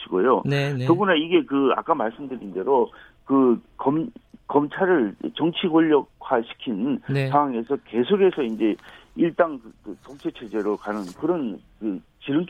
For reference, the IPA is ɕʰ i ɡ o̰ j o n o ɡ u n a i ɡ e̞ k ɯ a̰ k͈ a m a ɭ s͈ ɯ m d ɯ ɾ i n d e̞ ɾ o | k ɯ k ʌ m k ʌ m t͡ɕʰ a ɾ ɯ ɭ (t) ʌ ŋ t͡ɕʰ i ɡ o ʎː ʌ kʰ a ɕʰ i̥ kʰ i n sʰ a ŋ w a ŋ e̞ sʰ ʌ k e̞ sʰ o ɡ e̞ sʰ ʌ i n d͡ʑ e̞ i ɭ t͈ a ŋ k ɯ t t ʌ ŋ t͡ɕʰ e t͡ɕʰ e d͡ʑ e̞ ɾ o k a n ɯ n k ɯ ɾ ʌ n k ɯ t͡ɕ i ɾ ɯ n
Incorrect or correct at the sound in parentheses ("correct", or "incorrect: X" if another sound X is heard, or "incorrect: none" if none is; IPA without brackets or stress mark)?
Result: incorrect: t͡ɕ